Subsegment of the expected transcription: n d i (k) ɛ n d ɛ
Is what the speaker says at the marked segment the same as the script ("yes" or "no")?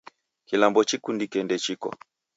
yes